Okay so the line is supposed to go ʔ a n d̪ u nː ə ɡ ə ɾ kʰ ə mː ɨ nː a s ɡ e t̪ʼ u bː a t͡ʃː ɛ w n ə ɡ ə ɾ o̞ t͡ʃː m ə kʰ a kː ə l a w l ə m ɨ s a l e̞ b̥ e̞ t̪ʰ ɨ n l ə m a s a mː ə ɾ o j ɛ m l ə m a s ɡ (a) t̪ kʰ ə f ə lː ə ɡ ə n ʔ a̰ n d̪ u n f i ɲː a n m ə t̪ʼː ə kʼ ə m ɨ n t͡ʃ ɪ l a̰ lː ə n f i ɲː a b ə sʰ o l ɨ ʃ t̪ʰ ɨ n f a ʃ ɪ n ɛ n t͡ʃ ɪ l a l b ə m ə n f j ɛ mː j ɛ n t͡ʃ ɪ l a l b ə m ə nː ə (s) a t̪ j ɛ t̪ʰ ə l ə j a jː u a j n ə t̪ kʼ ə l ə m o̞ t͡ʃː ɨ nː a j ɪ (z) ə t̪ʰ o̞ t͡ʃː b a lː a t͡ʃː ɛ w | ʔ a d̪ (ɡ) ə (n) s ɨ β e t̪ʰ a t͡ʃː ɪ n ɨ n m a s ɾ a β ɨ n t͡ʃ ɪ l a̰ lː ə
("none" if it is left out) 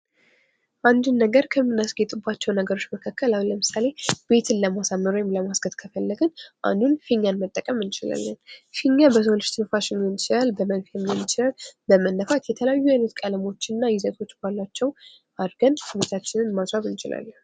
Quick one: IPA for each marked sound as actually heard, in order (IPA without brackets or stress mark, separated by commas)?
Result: ə, f, z, ɡ, n